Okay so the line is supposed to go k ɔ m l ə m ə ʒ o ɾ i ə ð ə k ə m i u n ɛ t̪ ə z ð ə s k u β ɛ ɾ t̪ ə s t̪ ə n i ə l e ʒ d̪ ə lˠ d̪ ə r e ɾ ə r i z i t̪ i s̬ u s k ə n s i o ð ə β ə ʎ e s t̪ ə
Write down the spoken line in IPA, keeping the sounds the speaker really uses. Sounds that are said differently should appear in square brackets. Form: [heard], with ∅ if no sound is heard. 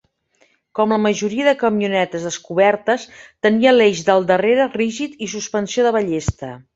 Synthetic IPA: k ɔ m l ə m ə ʒ [u] ɾ i ə ð ə k ə m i u n ɛ t̪ ə z ð ə s k u β ɛ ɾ t̪ ə s t̪ ə n i ə l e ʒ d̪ ə lˠ d̪ ə r e ɾ ə r i [ʒ] i t̪ i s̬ u s [p] ə n s i o ð ə β ə ʎ e s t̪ ə

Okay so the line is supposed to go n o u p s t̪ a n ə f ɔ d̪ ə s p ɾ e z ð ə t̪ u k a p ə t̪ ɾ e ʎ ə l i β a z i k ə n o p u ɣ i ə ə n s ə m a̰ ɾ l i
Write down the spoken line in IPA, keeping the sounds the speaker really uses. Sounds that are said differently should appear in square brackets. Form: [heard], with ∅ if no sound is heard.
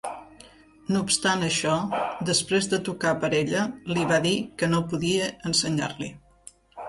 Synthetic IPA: n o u p s t̪ a n ə [ʃ] ɔ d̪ ə s p ɾ e z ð ə t̪ u k a p ə [∅] ɾ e ʎ ə l i β a [ð] i k ə n o p u [ð] i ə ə n s ə [ɲ] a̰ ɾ l i

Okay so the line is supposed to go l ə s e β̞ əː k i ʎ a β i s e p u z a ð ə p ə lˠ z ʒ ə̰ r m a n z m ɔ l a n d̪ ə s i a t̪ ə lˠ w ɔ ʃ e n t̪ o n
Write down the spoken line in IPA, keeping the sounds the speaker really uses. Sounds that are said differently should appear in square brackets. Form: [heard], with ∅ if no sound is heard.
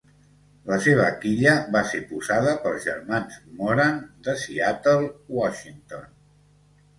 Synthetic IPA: l ə s e β̞ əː k i ʎ [ə] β [a] s e p u z a ð ə p ə lˠ z ʒ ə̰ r m a n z m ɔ [ɾ] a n d̪ ə s i a t̪ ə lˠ w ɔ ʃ [i] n t̪ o n

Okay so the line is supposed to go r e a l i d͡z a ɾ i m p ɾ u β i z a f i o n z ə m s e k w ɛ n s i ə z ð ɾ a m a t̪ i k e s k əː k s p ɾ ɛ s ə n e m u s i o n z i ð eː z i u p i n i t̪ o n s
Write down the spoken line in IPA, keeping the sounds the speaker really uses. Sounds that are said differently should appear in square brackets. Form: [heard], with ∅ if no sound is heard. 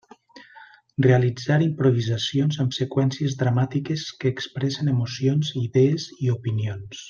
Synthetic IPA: r e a l i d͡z a ɾ i m p ɾ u β i z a [s] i o n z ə m s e k w ɛ n s i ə z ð ɾ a m a t̪ i k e s k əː k s p ɾ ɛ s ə n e m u s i o n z i ð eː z i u p i n i [∅] o n s

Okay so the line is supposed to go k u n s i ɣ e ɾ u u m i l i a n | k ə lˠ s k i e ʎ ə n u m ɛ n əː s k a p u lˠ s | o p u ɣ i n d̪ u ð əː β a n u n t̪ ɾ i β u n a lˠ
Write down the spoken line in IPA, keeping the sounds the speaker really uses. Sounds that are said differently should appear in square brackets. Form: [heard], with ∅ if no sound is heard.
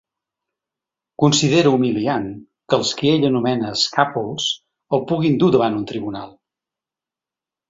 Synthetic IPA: k u n s i [ð] e ɾ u u m i l i a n | k ə lˠ s k i e ʎ ə n u m ɛ n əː s k a p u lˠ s | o p u ɣ i n d̪ u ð [ə] β a n u n t̪ ɾ i β u n a lˠ

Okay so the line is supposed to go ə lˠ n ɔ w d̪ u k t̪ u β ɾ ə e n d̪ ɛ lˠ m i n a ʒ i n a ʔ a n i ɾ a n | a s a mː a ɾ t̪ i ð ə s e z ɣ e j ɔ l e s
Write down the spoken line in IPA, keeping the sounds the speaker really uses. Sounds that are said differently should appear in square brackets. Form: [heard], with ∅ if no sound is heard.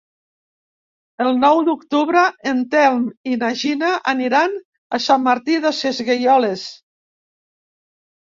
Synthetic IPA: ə lˠ n ɔ w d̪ u k t̪ u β ɾ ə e n [t̪] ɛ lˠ m i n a ʒ i n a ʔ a n i ɾ a n | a s a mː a ɾ t̪ i ð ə s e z ɣ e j ɔ l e s

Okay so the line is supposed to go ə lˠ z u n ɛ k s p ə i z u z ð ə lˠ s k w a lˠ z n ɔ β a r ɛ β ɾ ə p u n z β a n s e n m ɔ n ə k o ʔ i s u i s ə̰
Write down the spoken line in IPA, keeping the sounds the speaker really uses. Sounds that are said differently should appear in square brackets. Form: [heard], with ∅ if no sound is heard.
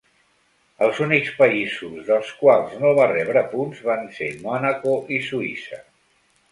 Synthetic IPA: ə lˠ z u n [i] k s p ə i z u z ð ə lˠ s k w a lˠ z n [o] β a r ɛ β ɾ ə p u n z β a n s e [∅] m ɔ n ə k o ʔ i s u i s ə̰

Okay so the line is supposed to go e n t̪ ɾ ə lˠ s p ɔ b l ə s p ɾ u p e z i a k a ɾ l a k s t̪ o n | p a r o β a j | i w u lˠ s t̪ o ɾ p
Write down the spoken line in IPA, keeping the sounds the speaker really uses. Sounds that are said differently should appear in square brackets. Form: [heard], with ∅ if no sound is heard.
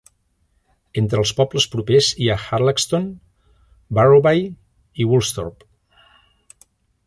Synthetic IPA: e n t̪ ɾ ə lˠ s p ɔ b l ə s p ɾ u p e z i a [x] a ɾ l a k s t̪ o n | [b] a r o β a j | i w u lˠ s t̪ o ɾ p

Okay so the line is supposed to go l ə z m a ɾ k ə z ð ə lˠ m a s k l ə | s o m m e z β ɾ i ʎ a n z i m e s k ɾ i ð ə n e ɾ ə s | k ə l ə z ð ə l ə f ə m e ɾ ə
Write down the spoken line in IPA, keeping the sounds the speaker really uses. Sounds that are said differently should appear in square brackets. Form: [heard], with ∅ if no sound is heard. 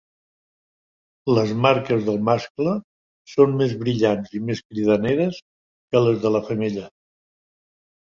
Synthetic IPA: l ə z m a ɾ k ə z ð ə lˠ m a s k l ə | s o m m e z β ɾ i ʎ a n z i m e s k ɾ i ð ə n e ɾ ə s | k ə l ə z ð ə l ə f ə m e [ʎ] ə

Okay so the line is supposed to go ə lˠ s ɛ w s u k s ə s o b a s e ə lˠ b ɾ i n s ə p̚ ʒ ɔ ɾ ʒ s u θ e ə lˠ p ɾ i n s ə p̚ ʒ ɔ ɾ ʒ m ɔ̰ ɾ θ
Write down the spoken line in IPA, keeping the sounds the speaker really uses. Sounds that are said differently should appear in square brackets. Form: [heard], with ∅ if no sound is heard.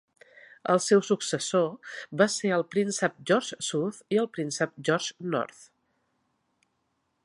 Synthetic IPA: ə lˠ s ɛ w s u k s ə s o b a s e ə lˠ [p] ɾ i n s ə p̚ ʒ ɔ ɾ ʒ s u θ [i] ə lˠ p ɾ i n s ə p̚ ʒ ɔ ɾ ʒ [n] ɔ̰ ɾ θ

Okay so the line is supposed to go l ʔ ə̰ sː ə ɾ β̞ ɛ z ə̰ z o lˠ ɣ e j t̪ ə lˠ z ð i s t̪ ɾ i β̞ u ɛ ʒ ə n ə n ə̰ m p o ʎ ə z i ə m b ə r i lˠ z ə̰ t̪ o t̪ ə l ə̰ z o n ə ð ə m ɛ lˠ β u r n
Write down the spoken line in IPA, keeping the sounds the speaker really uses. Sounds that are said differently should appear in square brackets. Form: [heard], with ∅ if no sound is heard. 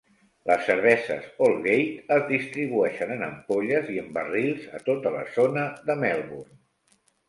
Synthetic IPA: l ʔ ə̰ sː ə ɾ β̞ ɛ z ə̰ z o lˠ ɣ e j t̪ ə [∅] z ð i s t̪ ɾ i β̞ u ɛ [ʃ] ə n ə n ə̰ m p o ʎ ə z i ə m b ə r i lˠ z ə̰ t̪ o t̪ ə l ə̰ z o n ə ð ə m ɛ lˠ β u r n

